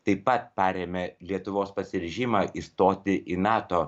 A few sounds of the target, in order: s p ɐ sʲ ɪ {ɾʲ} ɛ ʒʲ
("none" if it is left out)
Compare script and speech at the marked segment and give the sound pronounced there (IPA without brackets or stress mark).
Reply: ɾʲ